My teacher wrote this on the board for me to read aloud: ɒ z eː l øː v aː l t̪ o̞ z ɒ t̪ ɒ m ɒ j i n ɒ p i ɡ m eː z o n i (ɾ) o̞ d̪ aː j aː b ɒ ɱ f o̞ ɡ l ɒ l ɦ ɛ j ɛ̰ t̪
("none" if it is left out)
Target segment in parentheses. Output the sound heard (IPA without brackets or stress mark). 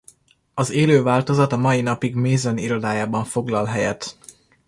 ɾ